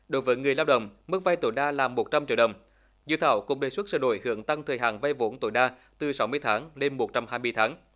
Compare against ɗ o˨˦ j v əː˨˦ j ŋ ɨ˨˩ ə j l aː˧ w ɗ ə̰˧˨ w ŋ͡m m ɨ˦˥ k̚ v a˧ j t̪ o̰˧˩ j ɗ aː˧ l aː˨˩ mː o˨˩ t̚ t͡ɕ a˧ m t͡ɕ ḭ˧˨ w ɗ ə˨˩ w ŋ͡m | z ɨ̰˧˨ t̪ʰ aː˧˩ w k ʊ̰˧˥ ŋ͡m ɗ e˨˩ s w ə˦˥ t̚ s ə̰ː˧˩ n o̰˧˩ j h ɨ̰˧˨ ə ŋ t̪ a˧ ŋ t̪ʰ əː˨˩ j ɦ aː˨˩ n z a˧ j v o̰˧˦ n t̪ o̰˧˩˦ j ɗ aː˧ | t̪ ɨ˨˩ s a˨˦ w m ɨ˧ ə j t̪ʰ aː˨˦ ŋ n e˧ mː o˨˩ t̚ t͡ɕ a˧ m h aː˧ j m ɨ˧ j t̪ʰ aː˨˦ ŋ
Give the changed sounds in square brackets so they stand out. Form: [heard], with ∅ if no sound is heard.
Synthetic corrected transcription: ɗ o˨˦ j v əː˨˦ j ŋ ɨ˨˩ ə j l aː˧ w ɗ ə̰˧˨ w ŋ͡m m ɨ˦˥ k̚ v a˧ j t̪ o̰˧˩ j ɗ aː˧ l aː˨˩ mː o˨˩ t̚ t͡ɕ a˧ m t͡ɕ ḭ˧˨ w ɗ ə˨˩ w ŋ͡m | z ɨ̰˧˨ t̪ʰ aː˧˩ w k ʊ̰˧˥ ŋ͡m ɗ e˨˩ s w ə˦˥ t̚ s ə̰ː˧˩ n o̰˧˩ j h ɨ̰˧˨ ə ŋ t̪ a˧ ŋ t̪ʰ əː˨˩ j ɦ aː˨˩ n [v] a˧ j v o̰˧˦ n t̪ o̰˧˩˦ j ɗ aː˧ | t̪ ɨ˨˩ s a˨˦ w m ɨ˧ ə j t̪ʰ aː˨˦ ŋ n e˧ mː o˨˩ t̚ t͡ɕ a˧ m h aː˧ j m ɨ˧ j t̪ʰ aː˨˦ ŋ